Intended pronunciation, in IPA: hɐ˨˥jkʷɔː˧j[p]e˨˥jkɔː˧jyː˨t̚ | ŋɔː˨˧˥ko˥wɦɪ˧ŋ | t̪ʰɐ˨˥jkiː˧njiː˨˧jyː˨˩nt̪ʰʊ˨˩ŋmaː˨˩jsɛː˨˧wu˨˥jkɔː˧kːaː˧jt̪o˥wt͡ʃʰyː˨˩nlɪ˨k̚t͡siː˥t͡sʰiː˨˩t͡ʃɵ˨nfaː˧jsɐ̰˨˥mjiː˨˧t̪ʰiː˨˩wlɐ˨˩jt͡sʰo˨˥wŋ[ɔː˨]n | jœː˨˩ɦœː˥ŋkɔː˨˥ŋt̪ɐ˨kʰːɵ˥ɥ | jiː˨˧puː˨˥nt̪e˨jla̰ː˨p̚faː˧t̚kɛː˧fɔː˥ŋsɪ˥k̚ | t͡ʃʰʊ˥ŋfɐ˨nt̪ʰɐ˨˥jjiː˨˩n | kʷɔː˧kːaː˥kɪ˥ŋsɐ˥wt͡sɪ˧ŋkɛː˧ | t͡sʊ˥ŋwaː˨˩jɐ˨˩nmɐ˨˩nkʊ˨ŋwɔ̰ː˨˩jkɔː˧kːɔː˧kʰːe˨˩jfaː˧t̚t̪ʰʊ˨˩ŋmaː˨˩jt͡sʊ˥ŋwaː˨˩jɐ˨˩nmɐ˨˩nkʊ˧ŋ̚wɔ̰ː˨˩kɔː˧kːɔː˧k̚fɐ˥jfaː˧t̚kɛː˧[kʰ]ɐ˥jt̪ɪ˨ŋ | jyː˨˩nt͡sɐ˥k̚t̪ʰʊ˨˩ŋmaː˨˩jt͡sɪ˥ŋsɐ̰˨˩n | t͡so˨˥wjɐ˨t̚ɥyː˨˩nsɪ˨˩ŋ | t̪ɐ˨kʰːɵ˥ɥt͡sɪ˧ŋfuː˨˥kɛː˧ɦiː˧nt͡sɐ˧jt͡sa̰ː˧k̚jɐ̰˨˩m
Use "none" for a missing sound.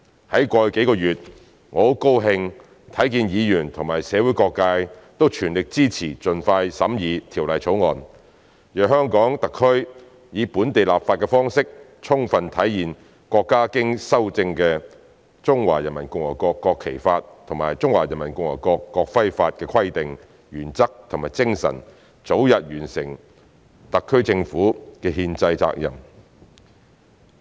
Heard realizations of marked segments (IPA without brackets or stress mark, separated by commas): k, ɔː˨, kʰ